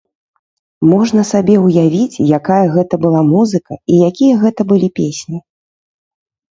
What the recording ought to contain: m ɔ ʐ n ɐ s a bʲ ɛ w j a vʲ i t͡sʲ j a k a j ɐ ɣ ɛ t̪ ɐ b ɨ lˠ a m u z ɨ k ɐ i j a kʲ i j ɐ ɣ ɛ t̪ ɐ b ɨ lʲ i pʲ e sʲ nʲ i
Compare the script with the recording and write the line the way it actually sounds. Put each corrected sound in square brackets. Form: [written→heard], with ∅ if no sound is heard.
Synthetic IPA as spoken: m ɔ ʐ n ɐ s a bʲ ɛ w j a vʲ i t͡sʲ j a k a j ɐ ɣ ɛ t̪ ɐ b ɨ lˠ a m u z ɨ k ɐ i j a kʲ i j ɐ ɣ ɛ t̪ ɐ b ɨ lʲ i pʲ e sʲ nʲ i